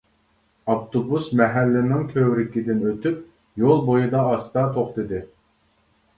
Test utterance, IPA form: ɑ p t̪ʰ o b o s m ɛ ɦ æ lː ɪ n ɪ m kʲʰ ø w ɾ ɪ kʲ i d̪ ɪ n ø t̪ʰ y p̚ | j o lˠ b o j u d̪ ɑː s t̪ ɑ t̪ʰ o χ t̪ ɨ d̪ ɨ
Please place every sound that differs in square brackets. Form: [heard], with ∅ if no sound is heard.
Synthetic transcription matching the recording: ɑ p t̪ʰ o b [u] s m ɛ ɦ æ lː ɪ n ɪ [ŋ] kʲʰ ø w ɾ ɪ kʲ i d̪ ɪ n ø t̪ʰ y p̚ | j o lˠ b o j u d̪ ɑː s t̪ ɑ t̪ʰ o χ t̪ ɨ d̪ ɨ